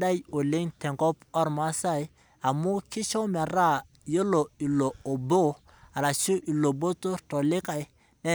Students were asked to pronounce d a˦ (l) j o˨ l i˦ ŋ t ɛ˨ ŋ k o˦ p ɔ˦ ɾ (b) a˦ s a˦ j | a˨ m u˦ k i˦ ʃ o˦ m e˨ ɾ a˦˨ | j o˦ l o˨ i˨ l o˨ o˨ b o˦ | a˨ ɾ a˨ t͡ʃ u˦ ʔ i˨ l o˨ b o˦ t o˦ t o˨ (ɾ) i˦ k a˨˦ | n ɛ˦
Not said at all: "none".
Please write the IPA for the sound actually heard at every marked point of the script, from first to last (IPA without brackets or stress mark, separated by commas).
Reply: none, m, l